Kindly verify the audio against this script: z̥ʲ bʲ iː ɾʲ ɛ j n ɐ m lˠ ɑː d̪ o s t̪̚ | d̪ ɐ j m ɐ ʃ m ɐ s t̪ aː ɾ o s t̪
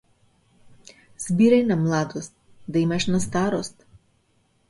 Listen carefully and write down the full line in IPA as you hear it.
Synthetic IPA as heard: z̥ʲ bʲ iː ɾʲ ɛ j n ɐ m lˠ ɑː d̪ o s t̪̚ | d̪ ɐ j m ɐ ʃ n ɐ s t̪ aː ɾ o s t̪